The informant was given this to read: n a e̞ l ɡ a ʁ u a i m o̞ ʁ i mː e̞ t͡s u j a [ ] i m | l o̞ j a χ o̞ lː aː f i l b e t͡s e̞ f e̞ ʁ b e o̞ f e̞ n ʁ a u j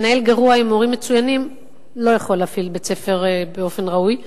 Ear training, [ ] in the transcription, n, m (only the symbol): n